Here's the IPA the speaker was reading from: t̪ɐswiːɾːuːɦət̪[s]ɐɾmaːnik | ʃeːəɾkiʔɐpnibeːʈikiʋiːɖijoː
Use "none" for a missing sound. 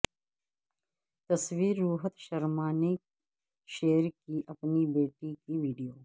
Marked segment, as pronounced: ʃ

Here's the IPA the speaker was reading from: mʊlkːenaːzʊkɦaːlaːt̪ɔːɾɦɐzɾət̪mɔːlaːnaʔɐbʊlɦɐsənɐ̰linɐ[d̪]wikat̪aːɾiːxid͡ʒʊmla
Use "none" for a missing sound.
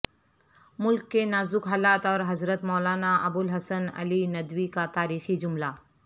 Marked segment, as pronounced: d̪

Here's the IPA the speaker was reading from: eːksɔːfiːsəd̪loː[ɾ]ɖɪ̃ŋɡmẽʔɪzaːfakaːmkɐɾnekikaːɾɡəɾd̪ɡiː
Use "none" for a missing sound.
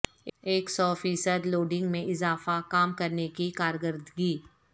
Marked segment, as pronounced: none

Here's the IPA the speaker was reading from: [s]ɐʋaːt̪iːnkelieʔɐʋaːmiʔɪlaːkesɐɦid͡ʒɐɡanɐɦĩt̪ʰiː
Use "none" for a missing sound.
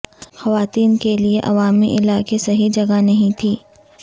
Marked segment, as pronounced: x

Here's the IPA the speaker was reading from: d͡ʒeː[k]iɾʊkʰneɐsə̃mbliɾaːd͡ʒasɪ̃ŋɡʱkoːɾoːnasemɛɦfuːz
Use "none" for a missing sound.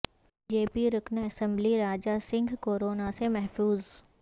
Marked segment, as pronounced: p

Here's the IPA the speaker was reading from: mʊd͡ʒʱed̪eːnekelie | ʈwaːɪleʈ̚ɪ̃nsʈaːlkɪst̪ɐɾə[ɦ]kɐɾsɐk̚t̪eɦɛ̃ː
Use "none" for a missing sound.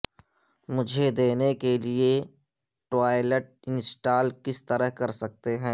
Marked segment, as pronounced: ɦ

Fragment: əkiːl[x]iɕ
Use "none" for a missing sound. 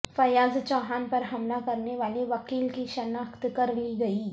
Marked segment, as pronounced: k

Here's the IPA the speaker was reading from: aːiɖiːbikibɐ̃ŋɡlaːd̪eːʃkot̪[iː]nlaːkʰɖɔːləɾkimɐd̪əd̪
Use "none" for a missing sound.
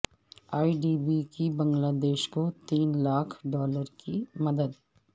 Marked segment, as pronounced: iː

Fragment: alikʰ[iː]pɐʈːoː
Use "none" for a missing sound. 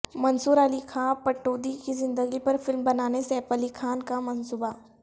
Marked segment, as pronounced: aː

